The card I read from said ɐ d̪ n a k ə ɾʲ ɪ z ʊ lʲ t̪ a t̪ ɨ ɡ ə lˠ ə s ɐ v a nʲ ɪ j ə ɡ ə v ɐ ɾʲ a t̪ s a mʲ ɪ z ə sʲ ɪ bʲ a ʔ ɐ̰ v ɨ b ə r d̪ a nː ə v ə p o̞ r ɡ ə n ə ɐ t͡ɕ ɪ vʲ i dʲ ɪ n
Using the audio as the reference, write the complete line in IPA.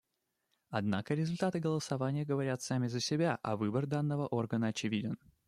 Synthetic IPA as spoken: ɐ d̪ n a k ə ɾʲ ɪ z ʊ lʲ t̪ a t̪ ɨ ɡ ə lˠ ə s ɐ v a nʲ ɪ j ə ɡ ə v ɐ ɾʲ a t̪ s a mʲ ɪ z ə sʲ ɪ bʲ a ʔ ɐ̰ v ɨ b ə r d̪ a nː ə v ə ʔ o̞ r ɡ ə n ə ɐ t͡ɕ ɪ vʲ i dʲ ɪ n